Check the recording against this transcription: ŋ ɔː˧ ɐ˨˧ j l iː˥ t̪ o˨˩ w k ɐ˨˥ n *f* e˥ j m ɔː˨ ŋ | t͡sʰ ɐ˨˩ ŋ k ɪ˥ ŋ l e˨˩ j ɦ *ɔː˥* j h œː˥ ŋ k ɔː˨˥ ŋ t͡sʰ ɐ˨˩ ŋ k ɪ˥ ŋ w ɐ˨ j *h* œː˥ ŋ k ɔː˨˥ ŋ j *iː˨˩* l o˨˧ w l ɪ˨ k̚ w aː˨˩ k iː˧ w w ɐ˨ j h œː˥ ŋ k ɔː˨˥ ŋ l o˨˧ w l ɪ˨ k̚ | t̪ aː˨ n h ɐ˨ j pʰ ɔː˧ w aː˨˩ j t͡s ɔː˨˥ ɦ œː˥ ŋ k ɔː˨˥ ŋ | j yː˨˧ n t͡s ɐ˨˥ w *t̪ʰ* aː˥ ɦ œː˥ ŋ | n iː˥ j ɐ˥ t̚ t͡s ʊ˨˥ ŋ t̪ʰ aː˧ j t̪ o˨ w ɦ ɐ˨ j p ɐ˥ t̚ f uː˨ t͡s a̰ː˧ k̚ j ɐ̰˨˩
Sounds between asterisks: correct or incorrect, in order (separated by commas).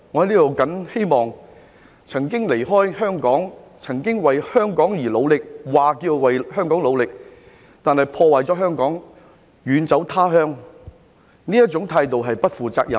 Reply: incorrect, correct, correct, correct, correct